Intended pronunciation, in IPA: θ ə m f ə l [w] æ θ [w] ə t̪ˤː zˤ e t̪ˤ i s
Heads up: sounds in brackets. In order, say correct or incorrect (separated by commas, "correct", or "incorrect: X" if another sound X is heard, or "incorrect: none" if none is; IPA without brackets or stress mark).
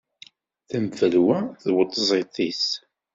correct, correct